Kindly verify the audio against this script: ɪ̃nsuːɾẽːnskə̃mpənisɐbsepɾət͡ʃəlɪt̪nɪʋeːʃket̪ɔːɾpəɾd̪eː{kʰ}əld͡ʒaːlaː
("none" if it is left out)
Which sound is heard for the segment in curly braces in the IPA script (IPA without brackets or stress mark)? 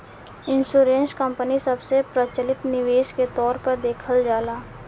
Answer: kʰ